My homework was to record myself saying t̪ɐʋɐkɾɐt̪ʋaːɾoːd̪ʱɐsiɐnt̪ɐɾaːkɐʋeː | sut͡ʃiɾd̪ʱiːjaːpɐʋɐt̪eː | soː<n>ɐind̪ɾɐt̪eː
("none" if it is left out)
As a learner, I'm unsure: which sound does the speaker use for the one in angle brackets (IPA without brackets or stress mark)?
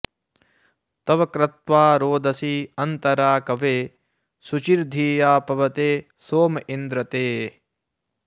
m